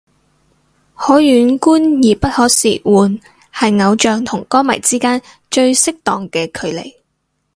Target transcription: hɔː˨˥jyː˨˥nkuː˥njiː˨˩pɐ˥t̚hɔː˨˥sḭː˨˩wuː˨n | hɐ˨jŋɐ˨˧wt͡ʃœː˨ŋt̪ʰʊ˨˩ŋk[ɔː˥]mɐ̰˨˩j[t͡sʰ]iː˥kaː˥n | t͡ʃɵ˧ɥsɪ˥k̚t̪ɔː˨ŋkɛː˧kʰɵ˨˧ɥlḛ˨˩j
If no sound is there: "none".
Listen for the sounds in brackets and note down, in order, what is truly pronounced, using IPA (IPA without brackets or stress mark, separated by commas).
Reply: ɔː˥, t͡s